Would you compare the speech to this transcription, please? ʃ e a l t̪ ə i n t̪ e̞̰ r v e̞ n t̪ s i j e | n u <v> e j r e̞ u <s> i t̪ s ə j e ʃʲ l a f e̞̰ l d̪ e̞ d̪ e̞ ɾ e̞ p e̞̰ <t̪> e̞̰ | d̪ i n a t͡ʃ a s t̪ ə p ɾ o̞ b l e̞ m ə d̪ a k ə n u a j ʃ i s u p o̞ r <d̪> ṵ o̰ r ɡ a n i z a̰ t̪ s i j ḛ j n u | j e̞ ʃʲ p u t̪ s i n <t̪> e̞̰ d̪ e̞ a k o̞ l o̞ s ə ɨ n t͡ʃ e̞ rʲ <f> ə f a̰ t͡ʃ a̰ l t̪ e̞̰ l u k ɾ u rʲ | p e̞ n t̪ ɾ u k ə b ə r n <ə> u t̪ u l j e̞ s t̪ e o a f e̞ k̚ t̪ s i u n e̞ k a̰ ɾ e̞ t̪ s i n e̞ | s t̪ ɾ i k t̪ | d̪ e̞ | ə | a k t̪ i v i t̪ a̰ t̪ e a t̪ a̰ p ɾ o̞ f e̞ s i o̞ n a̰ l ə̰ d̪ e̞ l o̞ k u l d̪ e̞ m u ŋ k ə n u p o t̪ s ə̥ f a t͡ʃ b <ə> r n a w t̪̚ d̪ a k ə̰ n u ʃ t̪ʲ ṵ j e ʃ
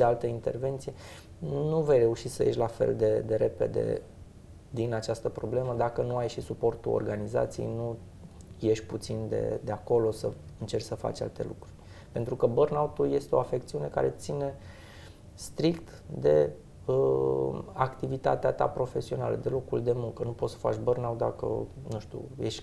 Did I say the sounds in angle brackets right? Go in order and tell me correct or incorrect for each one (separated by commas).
correct, incorrect, incorrect, incorrect, incorrect, incorrect, incorrect, correct